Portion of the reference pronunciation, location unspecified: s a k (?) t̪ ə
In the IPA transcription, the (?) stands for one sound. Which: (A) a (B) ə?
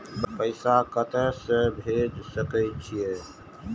B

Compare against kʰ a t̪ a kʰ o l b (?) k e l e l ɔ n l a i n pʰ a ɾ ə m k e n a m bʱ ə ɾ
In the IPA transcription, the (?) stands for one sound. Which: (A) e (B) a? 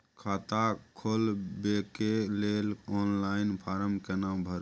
A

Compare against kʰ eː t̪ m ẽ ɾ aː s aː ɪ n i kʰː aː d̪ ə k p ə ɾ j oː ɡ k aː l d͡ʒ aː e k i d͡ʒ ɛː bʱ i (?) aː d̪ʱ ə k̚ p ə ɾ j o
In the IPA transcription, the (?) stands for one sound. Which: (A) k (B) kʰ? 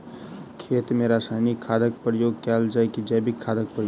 B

